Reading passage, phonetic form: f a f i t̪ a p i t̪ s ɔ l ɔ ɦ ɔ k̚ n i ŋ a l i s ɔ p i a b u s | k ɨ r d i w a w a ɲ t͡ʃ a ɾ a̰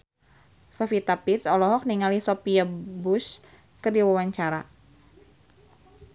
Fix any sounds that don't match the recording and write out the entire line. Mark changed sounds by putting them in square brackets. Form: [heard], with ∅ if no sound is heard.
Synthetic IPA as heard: f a f i t̪ a p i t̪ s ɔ l ɔ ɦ ɔ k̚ n i ŋ a l i s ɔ p i a b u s | k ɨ r d i w a w a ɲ t͡ʃ a ɾ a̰